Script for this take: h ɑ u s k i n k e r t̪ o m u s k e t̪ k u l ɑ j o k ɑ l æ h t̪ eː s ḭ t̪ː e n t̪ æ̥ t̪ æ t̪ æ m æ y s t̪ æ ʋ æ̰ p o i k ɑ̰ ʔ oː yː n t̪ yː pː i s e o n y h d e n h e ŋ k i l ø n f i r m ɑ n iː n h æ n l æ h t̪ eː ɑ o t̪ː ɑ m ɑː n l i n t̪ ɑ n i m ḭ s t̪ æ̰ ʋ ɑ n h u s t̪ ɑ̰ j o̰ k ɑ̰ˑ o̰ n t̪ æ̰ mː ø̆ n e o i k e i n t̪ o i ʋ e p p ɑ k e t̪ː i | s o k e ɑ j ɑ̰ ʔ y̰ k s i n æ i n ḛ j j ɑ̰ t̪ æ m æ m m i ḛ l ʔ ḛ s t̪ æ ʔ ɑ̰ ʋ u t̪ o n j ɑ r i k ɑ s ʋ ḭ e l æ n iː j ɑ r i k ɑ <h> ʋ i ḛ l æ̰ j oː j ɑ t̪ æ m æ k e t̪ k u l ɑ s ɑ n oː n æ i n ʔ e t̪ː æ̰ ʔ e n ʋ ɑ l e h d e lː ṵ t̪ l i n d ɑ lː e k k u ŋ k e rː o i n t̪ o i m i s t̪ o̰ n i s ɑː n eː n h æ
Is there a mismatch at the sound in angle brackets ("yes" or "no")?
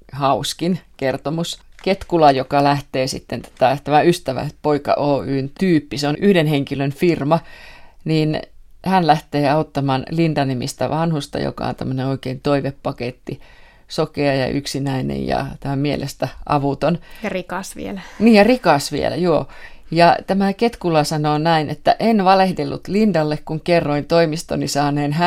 yes